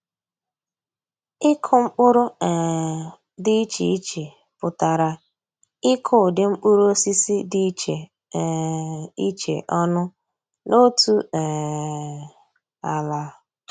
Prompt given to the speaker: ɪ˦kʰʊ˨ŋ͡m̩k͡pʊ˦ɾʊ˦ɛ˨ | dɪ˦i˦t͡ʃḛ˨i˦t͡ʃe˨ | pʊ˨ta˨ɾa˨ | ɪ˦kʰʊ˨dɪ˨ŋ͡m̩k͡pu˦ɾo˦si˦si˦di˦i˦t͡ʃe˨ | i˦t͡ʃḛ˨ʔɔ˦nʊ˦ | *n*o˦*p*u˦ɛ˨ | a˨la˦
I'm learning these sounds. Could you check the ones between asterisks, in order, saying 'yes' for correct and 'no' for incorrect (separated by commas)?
yes, no